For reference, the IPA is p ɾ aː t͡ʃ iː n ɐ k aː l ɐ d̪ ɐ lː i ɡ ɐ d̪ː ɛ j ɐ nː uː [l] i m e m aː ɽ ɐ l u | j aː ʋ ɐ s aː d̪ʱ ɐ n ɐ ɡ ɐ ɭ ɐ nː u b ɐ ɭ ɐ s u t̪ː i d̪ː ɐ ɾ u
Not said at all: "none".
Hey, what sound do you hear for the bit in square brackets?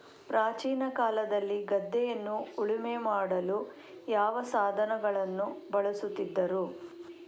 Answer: ɭ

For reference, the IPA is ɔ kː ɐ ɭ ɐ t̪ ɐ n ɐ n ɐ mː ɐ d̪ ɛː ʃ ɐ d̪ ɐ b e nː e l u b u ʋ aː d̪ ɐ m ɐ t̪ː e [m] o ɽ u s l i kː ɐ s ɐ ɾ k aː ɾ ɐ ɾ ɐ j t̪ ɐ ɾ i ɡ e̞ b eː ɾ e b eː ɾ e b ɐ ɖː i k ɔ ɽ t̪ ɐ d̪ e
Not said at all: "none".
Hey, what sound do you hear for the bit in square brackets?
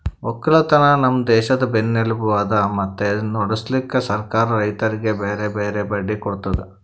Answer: n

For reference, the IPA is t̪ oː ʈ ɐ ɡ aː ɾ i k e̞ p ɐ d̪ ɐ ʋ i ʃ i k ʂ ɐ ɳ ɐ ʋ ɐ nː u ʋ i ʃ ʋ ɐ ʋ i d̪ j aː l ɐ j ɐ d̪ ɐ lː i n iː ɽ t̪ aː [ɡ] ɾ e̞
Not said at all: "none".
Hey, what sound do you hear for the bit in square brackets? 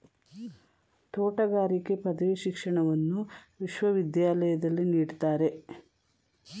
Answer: none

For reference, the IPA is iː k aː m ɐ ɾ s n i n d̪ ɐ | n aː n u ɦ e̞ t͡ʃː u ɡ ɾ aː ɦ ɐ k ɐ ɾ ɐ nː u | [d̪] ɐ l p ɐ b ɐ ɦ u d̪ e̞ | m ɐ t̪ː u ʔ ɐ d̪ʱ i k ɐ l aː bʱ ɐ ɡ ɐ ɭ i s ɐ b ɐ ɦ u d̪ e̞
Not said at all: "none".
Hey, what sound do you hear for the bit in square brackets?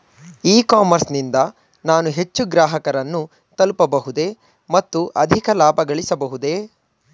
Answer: t̪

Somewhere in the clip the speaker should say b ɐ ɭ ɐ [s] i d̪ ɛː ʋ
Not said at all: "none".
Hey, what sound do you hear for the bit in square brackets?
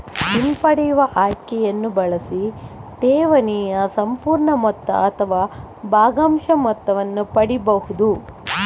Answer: s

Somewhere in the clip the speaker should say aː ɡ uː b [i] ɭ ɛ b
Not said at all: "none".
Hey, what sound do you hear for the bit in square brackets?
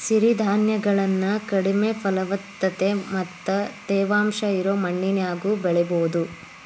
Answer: ɛ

